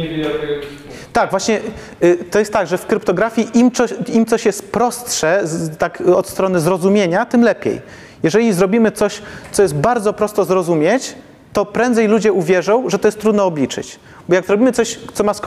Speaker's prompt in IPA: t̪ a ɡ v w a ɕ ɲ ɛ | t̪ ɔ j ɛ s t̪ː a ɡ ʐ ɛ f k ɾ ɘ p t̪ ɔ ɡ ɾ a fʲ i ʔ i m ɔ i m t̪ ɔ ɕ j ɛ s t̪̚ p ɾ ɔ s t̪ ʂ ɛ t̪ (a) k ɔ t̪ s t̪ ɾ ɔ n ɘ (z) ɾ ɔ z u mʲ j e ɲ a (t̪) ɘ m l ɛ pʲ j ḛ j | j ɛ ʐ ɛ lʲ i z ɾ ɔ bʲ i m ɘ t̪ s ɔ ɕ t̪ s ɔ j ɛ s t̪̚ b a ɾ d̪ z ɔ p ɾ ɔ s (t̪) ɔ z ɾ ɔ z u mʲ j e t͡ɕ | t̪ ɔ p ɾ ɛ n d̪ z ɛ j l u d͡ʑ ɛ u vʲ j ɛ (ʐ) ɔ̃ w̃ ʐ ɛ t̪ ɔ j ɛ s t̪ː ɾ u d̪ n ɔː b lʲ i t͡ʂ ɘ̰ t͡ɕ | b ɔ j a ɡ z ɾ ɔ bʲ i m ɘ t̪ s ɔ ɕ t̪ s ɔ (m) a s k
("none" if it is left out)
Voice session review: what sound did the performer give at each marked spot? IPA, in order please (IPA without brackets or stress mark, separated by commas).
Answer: a, z, t̪, t̪, ʐ, m